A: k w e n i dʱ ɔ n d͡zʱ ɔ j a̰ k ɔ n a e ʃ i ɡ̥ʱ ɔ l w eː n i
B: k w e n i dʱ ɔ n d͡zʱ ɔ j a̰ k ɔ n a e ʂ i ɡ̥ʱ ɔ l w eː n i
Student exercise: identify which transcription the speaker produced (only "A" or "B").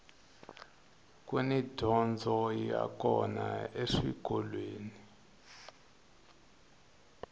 B